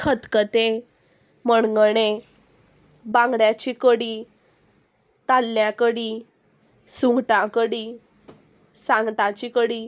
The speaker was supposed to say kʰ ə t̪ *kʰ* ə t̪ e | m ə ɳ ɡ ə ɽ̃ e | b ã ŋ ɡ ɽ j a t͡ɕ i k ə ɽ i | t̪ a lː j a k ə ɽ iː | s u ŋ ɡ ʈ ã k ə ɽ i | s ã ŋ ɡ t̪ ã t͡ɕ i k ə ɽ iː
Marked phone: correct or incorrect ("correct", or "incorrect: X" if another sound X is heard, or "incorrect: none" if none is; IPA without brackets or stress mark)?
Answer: incorrect: k